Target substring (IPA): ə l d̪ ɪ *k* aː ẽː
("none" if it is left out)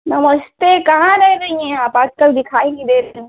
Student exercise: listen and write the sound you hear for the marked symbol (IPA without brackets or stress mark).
kʰ